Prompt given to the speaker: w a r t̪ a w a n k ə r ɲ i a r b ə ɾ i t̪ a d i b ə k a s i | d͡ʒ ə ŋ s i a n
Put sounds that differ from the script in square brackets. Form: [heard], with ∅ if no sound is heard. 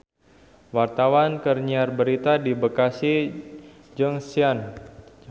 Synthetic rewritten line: w a r t̪ a w a n k ə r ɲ i a r b ə ɾ i t̪ a d i b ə k a s i | d͡ʒ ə ŋ s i a n